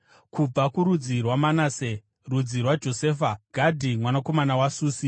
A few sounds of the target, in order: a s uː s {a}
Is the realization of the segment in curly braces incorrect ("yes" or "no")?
yes